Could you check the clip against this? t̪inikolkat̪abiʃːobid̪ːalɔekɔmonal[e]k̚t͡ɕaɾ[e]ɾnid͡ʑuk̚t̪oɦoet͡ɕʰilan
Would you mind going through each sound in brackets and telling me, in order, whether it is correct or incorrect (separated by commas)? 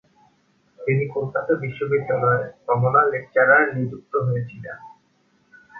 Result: correct, incorrect